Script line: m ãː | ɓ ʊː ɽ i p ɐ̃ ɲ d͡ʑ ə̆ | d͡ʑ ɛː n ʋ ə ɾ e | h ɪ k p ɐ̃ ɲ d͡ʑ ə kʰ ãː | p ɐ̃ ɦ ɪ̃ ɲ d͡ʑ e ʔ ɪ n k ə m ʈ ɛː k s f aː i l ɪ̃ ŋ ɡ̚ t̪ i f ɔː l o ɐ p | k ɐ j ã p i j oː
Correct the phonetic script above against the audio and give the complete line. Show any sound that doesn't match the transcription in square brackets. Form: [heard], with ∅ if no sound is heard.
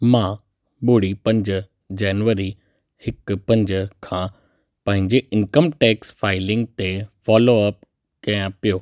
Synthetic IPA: m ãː | ɓ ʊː ɽ i p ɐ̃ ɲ d͡ʑ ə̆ | d͡ʑ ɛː n ʋ ə ɾ [i] | h ɪ k p ɐ̃ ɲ d͡ʑ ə kʰ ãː | p ɐ̃ ɦ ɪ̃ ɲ d͡ʑ e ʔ ɪ n k ə m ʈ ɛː k s f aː [ɪ] l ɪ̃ ŋ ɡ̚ t̪ [e] f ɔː l o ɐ p | k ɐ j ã p i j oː

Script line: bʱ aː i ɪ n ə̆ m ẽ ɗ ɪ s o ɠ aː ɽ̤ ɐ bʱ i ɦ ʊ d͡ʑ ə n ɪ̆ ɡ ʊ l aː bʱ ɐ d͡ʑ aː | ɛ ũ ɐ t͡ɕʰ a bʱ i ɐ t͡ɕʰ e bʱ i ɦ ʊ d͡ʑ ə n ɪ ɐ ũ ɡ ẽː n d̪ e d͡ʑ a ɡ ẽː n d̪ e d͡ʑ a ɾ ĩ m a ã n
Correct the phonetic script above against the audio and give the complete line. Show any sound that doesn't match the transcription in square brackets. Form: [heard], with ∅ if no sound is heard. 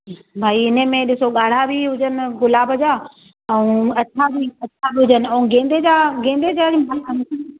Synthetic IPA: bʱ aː i ɪ n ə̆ m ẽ ɗ ɪ s o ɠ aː ɽ̤ [a] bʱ i ɦ ʊ d͡ʑ ə n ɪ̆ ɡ ʊ l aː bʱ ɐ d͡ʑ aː | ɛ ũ ɐ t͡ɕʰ a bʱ i ɐ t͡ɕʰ [a] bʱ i ɦ ʊ d͡ʑ ə n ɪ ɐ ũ ɡ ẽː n d̪ e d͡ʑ a ɡ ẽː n d̪ e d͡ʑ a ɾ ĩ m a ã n

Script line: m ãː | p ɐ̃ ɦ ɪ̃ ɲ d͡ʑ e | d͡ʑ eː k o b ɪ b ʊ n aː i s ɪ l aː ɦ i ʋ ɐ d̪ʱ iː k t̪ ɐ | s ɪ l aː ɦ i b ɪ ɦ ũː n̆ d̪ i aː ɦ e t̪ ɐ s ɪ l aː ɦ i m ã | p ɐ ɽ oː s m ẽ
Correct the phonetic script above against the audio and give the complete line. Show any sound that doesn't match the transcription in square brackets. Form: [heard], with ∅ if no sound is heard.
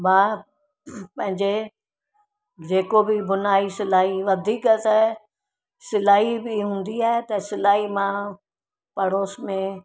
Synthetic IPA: m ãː | p ɐ̃ ɦ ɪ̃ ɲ d͡ʑ e | d͡ʑ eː k o b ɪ b ʊ n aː i s ɪ l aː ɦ i ʋ ɐ d̪ʱ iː k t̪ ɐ | s ɪ l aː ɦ i b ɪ ɦ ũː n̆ d̪ i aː ɦ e t̪ ɐ s ɪ l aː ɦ i m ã | p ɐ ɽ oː s m ẽ

